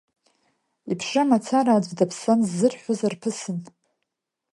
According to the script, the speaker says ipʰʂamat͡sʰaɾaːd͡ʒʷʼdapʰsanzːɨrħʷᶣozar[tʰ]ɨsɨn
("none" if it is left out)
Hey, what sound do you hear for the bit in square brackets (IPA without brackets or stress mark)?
pʰ